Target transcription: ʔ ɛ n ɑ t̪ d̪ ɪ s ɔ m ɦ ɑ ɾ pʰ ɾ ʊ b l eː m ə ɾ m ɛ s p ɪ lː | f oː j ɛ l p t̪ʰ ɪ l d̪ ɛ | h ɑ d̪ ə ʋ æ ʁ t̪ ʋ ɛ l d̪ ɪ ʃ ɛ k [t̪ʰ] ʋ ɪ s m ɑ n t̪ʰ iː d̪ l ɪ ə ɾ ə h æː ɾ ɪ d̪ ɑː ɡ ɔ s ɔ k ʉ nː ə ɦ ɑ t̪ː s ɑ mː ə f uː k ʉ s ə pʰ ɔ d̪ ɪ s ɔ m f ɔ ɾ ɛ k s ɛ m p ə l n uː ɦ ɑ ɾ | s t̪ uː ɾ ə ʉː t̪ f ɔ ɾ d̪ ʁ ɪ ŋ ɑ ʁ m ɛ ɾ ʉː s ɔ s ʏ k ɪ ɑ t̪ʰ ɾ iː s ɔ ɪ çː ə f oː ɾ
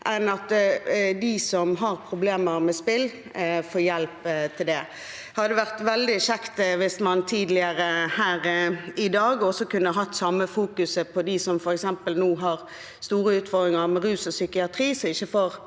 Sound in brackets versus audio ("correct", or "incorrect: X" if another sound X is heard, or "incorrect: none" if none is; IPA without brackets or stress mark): incorrect: t̪